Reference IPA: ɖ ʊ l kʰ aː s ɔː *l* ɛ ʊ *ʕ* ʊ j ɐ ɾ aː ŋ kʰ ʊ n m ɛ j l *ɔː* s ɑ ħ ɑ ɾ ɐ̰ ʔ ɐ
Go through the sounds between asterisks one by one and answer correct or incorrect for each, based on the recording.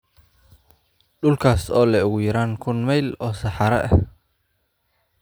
correct, incorrect: ɣ, correct

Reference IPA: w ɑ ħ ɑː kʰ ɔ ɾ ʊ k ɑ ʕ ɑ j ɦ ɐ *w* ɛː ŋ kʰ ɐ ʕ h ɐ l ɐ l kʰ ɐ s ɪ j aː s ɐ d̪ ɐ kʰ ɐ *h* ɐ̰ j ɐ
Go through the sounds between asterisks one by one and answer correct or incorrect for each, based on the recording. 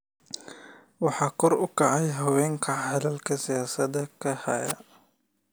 correct, correct

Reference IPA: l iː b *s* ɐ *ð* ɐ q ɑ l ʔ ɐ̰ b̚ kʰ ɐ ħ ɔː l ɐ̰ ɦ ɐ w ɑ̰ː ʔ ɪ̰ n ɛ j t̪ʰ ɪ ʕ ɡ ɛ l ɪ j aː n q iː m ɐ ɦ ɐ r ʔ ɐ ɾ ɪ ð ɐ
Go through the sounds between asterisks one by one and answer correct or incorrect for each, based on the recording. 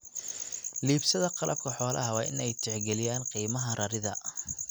correct, correct

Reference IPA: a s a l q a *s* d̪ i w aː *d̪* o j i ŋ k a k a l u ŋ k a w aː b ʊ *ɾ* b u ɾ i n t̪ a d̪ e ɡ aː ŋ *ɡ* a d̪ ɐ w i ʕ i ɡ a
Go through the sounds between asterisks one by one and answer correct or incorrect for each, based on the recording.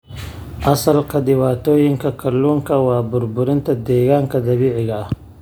incorrect: none, incorrect: t̪, correct, incorrect: k

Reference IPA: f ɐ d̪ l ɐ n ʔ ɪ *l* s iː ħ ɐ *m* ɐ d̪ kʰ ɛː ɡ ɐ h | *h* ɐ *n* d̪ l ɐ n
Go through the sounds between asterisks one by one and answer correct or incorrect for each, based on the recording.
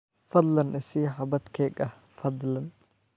incorrect: none, incorrect: b, incorrect: f, incorrect: none

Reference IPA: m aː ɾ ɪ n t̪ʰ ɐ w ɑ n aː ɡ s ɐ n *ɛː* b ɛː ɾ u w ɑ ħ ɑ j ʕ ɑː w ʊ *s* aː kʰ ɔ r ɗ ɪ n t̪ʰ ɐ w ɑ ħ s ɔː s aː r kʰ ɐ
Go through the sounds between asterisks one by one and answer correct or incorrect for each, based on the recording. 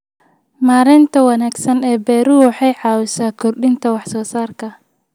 correct, correct

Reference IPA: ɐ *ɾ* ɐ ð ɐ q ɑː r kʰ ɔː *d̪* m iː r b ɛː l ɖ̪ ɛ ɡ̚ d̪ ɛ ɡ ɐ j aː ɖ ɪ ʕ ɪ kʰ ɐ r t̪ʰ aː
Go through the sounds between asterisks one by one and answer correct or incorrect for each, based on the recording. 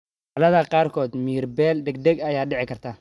incorrect: l, correct

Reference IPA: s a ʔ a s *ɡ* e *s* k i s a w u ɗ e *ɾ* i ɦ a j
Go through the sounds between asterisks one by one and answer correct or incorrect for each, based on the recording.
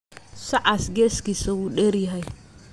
correct, correct, correct

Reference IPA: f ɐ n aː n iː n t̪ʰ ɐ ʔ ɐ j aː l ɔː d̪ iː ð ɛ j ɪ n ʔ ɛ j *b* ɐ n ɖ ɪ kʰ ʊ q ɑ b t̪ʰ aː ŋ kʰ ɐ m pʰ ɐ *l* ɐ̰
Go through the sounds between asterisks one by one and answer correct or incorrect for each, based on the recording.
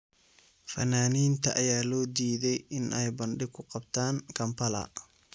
correct, correct

